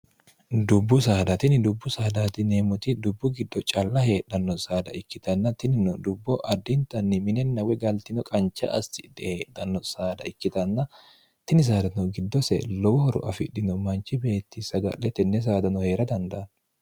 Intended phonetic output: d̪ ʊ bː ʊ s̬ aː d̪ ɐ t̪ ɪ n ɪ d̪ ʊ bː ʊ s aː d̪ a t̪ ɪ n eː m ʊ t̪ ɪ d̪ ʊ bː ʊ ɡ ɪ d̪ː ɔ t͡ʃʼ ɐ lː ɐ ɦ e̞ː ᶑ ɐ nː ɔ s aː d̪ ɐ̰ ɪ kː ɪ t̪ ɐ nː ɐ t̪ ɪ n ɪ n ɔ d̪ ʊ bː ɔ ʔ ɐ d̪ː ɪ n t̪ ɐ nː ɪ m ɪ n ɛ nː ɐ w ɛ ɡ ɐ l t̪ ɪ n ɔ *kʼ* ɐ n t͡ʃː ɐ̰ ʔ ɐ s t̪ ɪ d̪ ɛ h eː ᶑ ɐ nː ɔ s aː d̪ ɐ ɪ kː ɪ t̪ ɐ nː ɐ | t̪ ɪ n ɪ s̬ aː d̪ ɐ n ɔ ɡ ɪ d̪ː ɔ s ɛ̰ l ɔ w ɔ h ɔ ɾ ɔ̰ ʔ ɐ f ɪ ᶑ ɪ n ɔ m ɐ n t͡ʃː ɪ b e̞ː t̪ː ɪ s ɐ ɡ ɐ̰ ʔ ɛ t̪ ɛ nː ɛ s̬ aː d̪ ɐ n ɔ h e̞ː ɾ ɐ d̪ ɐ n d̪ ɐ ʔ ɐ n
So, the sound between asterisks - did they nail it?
yes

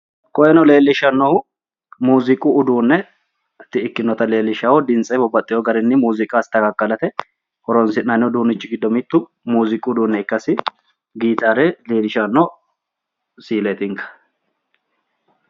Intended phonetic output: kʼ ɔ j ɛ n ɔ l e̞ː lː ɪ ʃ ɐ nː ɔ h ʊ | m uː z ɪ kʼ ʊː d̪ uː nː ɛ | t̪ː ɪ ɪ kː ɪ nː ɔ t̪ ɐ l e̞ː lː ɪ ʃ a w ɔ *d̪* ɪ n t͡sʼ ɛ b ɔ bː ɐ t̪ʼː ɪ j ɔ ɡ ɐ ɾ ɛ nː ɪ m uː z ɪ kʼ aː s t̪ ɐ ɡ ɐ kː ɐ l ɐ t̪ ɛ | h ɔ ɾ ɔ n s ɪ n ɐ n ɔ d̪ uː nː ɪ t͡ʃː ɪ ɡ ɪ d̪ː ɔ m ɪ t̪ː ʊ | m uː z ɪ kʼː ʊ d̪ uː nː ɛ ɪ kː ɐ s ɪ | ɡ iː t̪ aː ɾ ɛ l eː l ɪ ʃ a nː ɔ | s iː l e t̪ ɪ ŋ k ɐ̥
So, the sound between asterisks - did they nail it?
yes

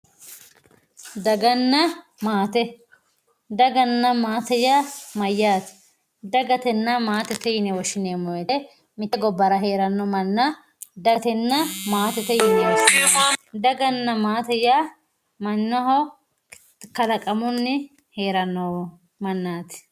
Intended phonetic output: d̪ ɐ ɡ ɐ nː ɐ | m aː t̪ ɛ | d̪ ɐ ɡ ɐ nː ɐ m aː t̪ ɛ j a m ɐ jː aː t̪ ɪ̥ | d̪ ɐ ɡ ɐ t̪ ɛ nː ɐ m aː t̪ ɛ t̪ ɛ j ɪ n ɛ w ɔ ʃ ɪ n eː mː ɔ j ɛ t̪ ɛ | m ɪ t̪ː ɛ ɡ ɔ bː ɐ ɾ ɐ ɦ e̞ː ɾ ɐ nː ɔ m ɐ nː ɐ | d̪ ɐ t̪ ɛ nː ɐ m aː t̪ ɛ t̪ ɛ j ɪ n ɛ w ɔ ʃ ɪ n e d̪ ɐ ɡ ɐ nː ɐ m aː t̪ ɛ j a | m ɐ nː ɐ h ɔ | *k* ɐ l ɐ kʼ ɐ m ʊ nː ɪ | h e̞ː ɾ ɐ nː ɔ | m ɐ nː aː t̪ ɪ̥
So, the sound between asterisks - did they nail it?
yes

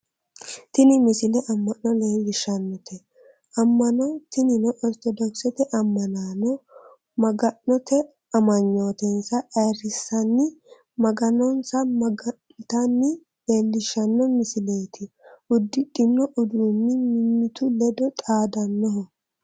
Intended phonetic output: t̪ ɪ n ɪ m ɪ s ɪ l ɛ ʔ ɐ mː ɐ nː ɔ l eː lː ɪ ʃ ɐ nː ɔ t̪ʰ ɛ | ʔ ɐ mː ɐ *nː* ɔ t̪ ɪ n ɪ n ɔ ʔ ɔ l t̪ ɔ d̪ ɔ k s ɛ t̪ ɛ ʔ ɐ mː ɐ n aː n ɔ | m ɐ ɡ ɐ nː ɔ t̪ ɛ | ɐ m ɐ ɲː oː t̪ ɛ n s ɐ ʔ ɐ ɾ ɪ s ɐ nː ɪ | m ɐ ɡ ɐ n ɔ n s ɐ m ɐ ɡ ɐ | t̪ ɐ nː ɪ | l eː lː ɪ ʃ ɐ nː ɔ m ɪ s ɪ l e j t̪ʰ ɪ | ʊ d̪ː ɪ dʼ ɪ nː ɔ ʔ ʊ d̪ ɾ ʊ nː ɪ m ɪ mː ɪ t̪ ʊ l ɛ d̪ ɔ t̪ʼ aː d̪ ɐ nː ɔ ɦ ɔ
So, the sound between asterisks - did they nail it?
no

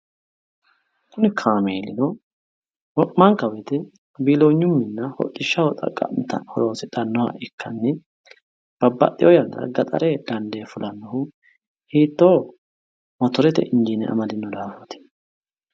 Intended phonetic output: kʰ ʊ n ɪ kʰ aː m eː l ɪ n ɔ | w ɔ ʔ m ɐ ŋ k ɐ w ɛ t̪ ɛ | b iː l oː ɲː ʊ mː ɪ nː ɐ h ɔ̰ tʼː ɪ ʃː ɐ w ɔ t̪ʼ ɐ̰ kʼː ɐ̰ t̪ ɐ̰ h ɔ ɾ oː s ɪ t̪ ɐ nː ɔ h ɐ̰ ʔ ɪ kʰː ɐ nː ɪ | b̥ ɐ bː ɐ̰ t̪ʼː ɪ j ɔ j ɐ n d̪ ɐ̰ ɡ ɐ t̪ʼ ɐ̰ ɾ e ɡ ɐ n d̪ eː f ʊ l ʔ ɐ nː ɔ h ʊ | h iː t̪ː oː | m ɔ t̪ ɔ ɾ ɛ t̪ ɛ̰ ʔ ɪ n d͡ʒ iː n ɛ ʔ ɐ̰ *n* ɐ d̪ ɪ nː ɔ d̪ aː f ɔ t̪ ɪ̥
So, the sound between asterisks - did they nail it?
no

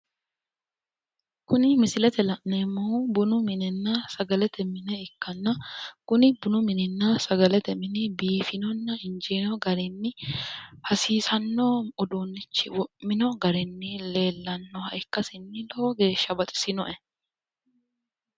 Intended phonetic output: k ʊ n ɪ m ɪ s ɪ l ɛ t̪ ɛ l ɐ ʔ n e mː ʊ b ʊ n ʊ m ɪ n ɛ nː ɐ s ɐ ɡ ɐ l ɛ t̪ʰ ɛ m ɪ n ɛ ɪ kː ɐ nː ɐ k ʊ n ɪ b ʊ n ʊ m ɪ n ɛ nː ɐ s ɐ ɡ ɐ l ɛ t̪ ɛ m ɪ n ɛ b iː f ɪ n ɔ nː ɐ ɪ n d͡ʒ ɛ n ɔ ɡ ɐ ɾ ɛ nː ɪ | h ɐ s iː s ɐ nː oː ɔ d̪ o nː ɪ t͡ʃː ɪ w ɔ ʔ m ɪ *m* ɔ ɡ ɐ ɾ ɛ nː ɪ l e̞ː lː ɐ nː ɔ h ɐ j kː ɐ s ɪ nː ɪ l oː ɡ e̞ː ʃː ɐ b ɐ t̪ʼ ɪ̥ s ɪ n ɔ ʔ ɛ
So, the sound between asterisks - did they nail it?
no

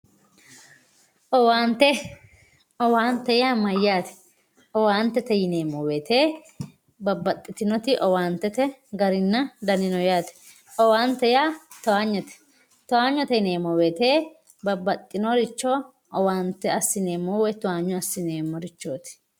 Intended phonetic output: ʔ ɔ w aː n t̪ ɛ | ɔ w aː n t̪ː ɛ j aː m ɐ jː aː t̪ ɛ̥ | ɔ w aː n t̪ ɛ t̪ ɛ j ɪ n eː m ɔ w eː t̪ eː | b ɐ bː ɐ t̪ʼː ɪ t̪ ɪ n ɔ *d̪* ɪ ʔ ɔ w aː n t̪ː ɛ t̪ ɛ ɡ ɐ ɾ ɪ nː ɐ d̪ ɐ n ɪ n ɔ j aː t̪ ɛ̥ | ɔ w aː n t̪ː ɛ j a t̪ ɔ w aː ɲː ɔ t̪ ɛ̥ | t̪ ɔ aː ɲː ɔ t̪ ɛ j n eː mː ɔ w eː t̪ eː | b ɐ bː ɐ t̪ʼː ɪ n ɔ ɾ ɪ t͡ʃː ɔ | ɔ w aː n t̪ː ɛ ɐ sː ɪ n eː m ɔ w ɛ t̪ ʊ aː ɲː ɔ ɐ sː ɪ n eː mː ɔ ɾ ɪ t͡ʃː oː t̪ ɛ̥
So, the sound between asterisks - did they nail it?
no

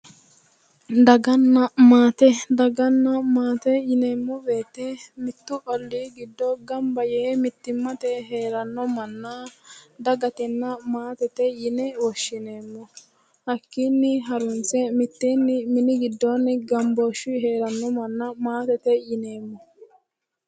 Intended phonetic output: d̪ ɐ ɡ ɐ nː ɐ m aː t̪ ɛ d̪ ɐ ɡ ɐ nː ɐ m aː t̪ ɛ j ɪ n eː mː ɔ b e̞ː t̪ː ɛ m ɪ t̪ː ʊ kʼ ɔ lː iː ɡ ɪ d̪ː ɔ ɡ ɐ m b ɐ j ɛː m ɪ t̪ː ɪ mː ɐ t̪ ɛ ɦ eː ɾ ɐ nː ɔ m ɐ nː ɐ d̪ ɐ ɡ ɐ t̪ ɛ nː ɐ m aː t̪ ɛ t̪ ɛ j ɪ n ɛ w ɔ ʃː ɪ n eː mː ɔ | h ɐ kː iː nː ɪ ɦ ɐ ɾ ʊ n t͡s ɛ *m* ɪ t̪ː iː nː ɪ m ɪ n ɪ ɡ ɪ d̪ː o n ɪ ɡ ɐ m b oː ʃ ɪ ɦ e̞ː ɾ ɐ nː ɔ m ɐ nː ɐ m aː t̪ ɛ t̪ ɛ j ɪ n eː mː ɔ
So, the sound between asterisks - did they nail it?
yes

